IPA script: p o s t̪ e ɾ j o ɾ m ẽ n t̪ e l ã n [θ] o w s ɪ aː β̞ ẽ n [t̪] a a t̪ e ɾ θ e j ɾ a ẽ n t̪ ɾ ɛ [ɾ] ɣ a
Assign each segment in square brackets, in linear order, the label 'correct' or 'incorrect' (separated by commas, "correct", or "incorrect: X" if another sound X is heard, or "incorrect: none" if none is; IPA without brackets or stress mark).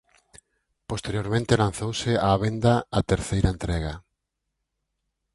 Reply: correct, incorrect: d̪, incorrect: none